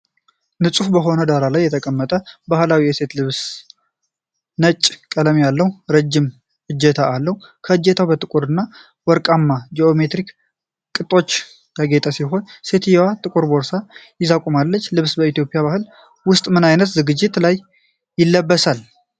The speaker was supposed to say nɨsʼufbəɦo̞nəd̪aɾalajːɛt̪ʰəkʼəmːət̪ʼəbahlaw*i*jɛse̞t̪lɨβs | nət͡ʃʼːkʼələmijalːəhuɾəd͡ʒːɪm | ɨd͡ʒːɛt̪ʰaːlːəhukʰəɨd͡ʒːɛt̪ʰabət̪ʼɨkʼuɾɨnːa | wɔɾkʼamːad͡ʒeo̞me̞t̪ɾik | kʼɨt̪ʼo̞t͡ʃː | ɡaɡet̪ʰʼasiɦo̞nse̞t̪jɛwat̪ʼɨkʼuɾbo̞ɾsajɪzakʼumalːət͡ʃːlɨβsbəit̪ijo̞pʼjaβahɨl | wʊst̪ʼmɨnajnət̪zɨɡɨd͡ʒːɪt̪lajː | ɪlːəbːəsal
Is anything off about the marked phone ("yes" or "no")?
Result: no